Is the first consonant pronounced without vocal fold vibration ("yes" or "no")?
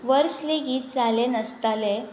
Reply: no